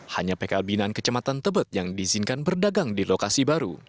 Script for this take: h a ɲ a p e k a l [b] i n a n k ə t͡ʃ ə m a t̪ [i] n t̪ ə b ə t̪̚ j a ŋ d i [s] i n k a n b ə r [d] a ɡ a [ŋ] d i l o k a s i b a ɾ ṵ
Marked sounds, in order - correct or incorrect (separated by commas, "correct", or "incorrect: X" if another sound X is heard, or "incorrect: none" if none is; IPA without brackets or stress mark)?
correct, incorrect: a, incorrect: z, correct, correct